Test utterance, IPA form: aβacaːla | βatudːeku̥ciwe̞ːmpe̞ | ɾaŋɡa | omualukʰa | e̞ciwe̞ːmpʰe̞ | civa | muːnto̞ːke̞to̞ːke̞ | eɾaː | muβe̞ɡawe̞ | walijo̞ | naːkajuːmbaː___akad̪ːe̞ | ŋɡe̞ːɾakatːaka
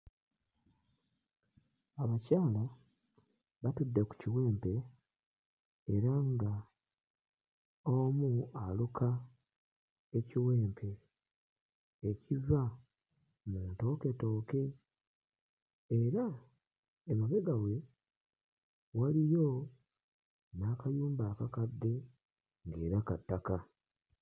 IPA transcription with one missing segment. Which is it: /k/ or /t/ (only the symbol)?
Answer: k